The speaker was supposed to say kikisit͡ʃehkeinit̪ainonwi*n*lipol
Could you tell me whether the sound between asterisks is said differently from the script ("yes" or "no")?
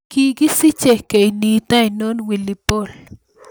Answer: yes